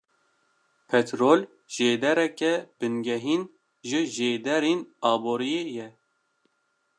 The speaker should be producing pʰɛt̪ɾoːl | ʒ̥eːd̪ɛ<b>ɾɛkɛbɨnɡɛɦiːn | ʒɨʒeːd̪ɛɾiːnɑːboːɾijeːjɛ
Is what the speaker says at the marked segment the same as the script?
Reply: no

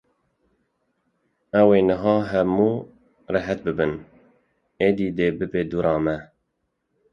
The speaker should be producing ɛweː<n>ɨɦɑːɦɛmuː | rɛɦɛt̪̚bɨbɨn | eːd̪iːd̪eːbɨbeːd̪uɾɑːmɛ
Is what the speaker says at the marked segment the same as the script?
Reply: yes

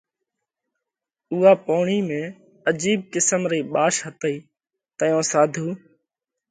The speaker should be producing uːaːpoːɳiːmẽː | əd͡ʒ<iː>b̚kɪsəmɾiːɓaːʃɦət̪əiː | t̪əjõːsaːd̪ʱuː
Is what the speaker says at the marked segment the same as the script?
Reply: yes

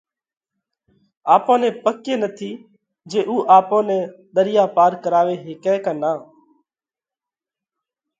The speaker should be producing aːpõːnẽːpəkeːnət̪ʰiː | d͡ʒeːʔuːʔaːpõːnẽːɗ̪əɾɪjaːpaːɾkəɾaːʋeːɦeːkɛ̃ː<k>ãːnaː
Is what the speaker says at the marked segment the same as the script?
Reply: yes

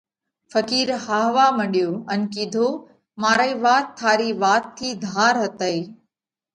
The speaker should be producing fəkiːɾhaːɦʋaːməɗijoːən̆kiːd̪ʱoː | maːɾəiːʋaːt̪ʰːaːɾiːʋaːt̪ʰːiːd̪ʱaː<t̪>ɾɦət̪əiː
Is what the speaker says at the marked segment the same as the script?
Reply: no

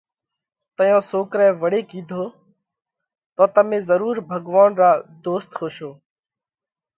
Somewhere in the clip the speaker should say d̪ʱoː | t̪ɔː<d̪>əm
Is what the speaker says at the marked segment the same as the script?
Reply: no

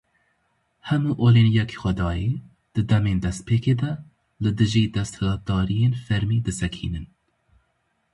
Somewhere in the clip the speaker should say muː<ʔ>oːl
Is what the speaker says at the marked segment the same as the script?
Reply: yes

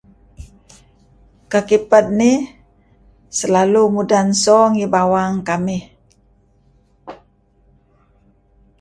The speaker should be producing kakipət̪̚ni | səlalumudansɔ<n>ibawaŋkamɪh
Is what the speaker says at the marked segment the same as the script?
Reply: no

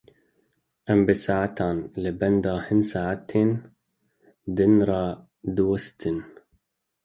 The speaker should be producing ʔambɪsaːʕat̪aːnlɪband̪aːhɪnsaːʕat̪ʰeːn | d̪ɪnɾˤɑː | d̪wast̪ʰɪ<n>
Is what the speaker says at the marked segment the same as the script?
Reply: yes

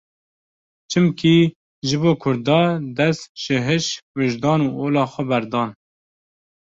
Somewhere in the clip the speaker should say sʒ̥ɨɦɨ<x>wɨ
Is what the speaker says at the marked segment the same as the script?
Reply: no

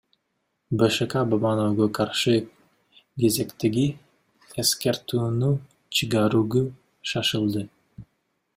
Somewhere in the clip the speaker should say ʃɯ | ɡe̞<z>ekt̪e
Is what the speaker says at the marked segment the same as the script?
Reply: yes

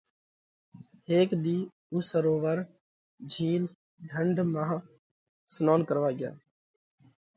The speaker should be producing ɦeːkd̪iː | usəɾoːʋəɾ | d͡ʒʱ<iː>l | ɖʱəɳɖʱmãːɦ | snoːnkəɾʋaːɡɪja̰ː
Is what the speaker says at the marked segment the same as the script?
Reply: yes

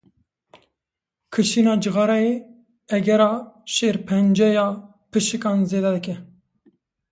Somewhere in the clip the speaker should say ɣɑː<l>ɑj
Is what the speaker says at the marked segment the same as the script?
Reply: no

